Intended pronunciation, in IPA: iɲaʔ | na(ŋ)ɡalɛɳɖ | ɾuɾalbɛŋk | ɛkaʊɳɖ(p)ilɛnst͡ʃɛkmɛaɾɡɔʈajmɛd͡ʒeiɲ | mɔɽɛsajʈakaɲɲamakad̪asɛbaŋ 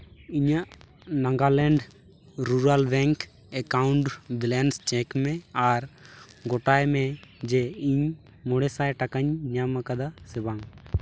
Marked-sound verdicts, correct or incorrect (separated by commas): correct, incorrect